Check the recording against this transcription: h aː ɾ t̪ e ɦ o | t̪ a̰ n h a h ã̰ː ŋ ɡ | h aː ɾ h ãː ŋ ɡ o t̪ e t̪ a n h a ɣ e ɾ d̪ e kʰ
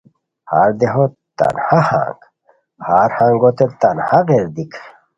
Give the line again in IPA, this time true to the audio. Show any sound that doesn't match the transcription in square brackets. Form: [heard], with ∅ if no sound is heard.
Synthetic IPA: h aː ɾ [d̪] e ɦ o | t̪ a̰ n h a h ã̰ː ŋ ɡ | h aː ɾ h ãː ŋ ɡ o t̪ e t̪ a n h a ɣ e ɾ d̪ [i] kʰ